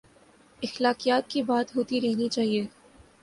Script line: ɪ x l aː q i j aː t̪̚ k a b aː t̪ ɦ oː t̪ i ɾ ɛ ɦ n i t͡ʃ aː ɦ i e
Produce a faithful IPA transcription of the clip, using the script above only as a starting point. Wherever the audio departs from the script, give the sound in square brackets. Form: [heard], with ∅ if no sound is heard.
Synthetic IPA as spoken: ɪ x l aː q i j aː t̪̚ k [i] b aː t̪ ɦ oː t̪ i ɾ ɛ ɦ n i t͡ʃ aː ɦ i e